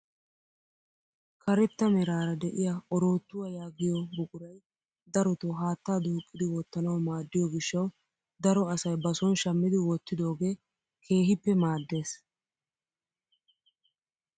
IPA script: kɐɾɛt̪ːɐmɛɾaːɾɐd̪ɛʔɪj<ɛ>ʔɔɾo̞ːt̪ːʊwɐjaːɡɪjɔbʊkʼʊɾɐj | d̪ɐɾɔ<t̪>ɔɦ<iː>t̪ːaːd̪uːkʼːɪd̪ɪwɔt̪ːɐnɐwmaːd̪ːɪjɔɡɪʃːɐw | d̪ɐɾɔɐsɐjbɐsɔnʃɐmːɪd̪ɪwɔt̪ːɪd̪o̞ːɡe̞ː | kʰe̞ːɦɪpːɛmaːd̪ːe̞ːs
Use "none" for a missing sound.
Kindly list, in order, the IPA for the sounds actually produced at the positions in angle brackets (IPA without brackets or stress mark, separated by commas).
a, t̪, aː